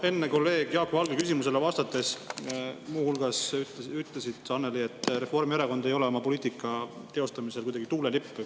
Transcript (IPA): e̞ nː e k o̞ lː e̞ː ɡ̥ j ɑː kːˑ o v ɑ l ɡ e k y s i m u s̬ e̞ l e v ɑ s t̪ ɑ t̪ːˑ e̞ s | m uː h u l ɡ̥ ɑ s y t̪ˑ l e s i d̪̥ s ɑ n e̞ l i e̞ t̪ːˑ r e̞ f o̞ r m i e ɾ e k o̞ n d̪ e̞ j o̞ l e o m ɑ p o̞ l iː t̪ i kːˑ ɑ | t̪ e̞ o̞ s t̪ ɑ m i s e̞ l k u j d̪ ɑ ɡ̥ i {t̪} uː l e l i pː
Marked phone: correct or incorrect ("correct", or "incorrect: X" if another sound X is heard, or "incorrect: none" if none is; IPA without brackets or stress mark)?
correct